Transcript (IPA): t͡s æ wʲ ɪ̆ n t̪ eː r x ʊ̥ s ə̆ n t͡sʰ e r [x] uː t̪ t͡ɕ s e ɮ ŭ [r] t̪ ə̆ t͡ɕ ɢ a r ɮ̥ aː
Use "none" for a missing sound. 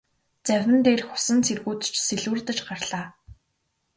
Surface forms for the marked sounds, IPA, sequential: ɣ, r

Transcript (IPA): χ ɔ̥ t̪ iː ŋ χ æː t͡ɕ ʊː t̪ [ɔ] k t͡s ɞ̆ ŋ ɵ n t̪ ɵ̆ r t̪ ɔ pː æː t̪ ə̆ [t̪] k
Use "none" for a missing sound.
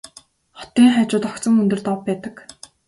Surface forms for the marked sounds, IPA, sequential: ɔ, none

